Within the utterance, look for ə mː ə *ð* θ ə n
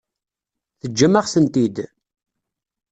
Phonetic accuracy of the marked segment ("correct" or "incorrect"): incorrect